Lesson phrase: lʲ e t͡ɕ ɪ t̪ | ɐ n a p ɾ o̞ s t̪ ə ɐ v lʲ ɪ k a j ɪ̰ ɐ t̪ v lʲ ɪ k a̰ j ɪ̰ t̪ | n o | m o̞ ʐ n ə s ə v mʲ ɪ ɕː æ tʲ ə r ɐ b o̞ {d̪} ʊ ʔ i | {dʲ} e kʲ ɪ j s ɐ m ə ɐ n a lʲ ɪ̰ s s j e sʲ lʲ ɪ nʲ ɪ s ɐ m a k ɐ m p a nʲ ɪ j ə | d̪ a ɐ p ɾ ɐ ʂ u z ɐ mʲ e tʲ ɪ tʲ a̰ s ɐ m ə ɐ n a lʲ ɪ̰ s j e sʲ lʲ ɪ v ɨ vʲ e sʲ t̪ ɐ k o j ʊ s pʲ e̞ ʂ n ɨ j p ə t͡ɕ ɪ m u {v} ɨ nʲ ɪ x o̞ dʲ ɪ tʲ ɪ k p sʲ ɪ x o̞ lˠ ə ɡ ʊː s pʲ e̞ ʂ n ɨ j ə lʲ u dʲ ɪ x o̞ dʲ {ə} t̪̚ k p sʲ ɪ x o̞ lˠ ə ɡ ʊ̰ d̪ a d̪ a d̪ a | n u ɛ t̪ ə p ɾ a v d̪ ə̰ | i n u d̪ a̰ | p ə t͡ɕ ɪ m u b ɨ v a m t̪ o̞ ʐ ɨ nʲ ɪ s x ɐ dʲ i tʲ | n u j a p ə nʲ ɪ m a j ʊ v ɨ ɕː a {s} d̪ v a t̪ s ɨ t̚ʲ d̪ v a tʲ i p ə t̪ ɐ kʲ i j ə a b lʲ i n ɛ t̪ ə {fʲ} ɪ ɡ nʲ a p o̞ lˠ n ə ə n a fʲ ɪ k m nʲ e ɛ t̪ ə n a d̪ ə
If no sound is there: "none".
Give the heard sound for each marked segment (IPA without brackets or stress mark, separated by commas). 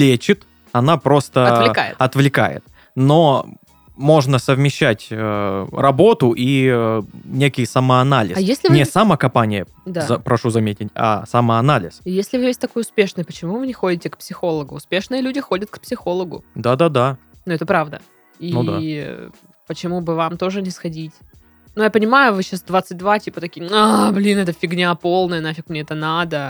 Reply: t̪, nʲ, v, ə, s, fʲ